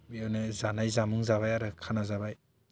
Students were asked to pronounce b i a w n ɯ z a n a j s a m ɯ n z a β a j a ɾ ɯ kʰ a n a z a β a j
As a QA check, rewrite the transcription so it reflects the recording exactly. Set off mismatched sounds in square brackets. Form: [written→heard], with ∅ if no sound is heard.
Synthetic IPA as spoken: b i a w n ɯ z a n a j [s→z] a m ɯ [n→ŋ] z a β a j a ɾ ɯ kʰ a n a z a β a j